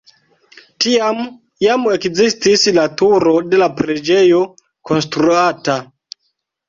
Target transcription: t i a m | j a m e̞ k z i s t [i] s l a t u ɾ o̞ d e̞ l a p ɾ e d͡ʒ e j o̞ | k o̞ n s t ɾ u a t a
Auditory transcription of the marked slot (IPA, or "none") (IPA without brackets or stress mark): i